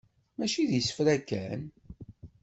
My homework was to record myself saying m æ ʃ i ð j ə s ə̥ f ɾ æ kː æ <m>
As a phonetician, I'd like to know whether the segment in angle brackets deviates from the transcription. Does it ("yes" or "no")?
yes